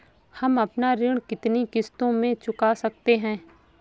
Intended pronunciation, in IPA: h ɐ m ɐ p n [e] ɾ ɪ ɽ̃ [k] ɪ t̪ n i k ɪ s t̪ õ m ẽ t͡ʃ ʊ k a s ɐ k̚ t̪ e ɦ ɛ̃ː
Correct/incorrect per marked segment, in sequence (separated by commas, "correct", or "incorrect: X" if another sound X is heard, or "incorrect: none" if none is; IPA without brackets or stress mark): incorrect: a, correct